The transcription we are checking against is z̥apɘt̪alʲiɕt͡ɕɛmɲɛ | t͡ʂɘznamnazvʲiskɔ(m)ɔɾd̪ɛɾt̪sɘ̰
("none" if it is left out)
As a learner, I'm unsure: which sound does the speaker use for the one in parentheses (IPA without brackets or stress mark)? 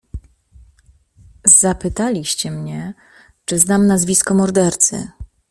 m